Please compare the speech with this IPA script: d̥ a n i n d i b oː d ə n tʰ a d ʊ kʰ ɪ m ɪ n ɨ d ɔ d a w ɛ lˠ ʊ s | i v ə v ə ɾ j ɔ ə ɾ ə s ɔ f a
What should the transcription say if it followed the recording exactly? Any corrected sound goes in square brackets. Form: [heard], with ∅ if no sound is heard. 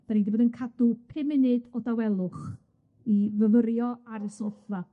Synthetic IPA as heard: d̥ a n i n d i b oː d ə n [kʰ] a d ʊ [pʰ] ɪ m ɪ n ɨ d ɔ d a w ɛ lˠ ʊ [χ] | i v ə v ə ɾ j ɔ [a] ɾ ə s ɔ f a